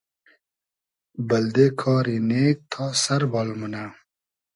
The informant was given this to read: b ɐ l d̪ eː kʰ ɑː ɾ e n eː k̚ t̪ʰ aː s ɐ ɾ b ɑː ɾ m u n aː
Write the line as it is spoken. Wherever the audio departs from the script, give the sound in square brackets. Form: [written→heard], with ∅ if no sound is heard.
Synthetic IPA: b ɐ l d̪ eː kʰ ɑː ɾ [e→i] n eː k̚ t̪ʰ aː s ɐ ɾ b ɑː [ɾ→l] m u n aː